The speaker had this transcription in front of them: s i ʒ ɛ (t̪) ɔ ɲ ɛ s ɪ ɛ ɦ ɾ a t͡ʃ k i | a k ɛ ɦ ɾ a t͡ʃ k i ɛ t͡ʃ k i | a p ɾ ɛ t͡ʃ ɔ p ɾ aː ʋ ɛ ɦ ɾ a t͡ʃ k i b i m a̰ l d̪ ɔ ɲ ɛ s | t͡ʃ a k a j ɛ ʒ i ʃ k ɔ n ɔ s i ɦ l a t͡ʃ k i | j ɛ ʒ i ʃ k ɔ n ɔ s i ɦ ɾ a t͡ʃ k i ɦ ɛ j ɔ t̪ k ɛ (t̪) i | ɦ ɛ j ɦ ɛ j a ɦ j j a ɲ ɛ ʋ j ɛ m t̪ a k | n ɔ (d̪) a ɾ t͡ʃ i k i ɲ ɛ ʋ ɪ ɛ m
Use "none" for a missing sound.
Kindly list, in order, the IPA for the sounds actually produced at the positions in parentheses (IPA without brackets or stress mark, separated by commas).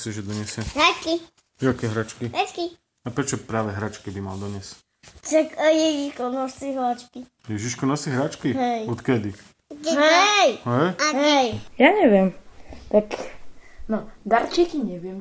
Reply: d̪, d̪, d̪